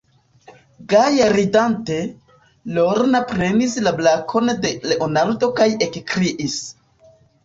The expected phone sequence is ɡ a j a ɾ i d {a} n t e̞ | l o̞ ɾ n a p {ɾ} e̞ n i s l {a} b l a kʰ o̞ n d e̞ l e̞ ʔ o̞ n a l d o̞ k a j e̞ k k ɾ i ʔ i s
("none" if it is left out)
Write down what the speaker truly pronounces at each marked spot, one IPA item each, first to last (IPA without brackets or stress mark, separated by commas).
a, ɾ, a